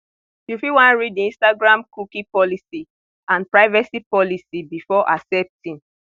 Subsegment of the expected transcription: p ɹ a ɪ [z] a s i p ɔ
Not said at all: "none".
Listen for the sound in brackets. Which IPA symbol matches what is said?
v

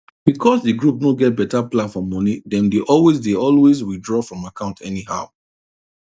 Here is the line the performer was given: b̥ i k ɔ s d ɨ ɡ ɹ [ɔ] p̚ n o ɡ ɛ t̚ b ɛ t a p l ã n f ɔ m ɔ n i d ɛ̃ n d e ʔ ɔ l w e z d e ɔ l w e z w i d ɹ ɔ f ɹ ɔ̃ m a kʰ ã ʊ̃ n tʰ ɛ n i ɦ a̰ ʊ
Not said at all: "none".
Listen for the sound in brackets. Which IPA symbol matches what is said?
u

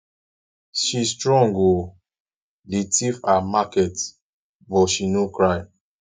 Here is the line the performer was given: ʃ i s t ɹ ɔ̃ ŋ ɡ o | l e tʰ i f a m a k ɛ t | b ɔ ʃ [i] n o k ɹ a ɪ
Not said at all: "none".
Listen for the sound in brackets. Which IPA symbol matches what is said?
i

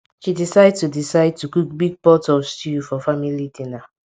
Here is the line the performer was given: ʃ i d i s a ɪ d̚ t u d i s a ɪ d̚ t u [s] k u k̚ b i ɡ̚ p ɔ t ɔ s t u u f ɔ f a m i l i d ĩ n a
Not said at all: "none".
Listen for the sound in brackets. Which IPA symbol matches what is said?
none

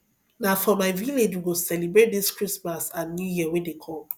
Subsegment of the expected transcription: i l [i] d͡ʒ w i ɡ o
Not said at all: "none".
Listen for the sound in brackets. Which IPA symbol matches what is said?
e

